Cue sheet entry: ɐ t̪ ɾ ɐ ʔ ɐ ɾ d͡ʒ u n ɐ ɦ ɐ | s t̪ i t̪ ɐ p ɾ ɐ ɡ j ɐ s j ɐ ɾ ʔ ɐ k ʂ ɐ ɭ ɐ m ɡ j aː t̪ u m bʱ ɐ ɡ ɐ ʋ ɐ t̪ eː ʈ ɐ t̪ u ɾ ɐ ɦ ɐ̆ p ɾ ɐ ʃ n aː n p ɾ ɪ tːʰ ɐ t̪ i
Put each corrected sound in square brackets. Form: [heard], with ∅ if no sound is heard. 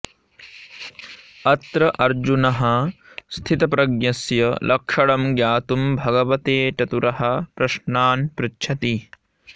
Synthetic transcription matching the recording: ɐ t̪ ɾ ɐ ʔ ɐ ɾ d͡ʒ u n ɐ ɦ ɐ | s [t̪ʰ] i t̪ ɐ p ɾ ɐ ɡ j ɐ s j ɐ [l] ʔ ɐ k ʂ ɐ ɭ ɐ m ɡ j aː t̪ u m bʱ ɐ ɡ ɐ ʋ ɐ t̪ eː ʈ ɐ t̪ u ɾ ɐ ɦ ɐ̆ p ɾ ɐ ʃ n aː n p ɾ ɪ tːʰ ɐ t̪ i